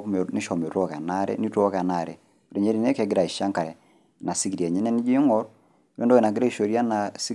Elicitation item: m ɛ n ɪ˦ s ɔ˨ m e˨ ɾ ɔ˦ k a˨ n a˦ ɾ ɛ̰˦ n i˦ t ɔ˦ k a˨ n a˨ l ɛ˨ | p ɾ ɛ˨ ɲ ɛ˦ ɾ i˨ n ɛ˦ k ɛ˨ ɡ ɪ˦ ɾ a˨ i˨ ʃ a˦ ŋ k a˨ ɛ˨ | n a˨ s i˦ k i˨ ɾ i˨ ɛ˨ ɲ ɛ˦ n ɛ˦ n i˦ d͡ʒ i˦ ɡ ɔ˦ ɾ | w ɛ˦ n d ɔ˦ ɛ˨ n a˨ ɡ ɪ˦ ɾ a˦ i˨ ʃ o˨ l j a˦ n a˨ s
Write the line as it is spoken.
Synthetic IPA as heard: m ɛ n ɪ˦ ʃ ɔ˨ m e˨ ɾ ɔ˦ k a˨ n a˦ ɾ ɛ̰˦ n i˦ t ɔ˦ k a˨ n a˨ ɾ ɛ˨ | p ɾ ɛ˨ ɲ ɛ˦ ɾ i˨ n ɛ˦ k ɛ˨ ɡ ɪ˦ ɾ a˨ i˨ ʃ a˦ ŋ k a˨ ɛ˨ | n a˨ s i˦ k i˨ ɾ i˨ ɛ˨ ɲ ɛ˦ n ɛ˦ n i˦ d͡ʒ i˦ ŋ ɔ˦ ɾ | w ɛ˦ n d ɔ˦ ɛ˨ n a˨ ɡ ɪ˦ ɾ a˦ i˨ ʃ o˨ ɾ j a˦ n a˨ s